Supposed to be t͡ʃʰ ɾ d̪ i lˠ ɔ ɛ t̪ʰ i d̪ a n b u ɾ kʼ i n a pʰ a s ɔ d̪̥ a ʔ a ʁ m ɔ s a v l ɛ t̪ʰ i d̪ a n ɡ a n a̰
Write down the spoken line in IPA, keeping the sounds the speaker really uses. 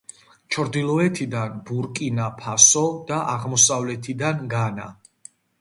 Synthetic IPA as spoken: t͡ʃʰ ɾ d̪ i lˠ ɔ ɛ t̪ʰ i d̪ a n b u ɾ kʼ i n a pʰ a s ɔ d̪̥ a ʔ a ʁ m ɔ s a v l ɛ t̪ʰ i d̪ a n ɡ a n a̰